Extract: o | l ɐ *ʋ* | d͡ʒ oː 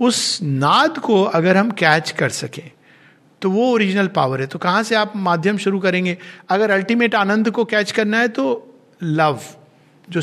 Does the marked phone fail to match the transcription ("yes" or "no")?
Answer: no